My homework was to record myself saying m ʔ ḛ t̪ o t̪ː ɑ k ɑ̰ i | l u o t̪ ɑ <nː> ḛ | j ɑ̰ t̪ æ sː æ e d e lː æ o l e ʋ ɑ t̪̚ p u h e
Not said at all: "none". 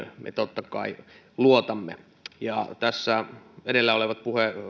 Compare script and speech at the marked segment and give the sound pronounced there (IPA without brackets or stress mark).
mː